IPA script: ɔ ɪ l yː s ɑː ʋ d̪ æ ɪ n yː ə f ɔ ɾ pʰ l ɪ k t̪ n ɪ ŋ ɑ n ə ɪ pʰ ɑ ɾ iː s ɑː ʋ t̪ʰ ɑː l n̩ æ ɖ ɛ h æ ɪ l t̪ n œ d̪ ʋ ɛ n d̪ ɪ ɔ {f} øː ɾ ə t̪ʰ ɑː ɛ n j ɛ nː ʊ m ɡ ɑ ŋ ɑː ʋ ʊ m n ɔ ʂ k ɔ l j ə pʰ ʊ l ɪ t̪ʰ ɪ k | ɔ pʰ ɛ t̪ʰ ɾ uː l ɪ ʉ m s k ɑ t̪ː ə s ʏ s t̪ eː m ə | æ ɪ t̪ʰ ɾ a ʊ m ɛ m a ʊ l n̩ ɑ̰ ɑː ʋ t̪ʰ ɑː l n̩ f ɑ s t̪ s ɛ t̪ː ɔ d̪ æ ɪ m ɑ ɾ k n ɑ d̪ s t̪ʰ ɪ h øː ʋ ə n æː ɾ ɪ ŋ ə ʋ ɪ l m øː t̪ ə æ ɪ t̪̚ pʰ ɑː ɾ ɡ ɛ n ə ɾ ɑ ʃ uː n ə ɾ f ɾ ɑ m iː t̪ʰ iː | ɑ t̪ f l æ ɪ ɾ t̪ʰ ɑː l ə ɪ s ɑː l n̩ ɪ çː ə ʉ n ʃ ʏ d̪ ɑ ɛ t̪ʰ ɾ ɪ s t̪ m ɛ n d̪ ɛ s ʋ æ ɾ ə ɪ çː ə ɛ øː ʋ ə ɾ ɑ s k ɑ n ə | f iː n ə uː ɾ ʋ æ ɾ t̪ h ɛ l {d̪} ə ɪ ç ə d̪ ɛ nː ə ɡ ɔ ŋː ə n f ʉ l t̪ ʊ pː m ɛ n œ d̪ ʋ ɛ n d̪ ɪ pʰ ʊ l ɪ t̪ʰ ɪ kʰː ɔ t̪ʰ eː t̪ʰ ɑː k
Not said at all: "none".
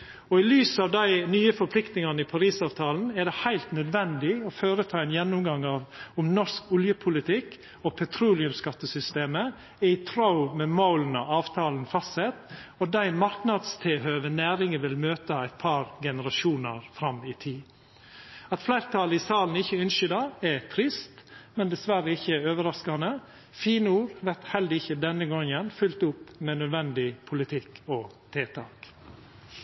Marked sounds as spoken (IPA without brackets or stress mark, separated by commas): f, d̪